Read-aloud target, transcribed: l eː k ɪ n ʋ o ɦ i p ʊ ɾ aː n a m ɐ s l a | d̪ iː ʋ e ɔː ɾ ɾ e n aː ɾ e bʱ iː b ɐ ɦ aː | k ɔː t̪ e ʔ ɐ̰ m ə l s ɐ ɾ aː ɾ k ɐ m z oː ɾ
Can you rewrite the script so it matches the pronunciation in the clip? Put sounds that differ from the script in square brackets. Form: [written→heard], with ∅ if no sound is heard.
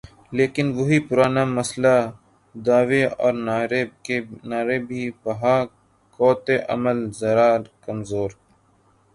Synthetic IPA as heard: l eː k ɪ n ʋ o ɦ i p ʊ ɾ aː n a m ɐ s l a | d̪ [iː→aː] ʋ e ɔː ɾ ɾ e n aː ɾ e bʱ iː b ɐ ɦ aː | k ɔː t̪ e ʔ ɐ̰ m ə l [s→z] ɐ ɾ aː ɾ k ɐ m z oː ɾ

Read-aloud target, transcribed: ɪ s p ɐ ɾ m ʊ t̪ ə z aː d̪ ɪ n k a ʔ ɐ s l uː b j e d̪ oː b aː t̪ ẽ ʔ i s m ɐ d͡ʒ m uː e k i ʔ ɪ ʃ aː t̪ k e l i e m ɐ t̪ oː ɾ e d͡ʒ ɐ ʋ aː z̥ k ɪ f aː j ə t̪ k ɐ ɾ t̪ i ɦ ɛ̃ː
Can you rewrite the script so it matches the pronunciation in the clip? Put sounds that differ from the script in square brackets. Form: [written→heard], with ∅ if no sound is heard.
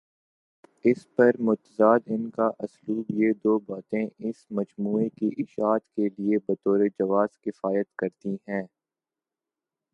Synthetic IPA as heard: ɪ s p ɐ ɾ m ʊ t̪ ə z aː d̪ ɪ n k a ʔ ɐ s l uː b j e d̪ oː b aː t̪ ẽ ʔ [i→ɪ] s m ɐ d͡ʒ m uː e k i ʔ ɪ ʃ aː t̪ k e l i e [m→b] ɐ t̪ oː ɾ e d͡ʒ ɐ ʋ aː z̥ k ɪ f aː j ə t̪ k ɐ ɾ t̪ i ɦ ɛ̃ː

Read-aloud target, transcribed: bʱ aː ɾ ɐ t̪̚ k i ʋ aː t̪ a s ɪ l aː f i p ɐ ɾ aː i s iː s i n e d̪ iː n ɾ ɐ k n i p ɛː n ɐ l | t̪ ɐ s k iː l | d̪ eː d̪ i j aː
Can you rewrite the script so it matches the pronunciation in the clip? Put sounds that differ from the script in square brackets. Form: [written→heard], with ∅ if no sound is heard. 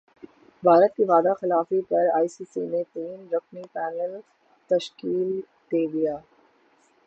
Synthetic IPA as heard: bʱ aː ɾ [ɐ→ə] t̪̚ k i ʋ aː [t̪→d̪] a [s→x] ɪ l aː f i p ɐ ɾ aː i s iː s i n e [d̪→t̪] iː n ɾ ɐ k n i p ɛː n [ɐ→ə] l | t̪ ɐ [s→ʃ] k iː l | d̪ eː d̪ i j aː

